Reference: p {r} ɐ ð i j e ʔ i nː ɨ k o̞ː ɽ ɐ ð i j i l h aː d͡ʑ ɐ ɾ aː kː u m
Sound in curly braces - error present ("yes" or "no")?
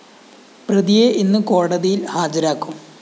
no